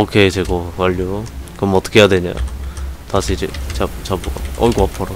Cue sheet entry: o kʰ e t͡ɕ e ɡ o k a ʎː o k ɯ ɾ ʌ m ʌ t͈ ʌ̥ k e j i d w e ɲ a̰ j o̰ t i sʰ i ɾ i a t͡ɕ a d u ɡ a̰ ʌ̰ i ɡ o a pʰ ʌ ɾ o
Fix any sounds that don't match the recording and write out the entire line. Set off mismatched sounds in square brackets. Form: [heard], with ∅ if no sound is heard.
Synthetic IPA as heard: o kʰ e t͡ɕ e ɡ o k a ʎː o k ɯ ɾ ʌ m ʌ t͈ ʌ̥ [kʰ] e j [a] d w e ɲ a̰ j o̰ t [a] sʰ i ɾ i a t͡ɕ a [b] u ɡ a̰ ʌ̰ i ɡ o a pʰ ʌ ɾ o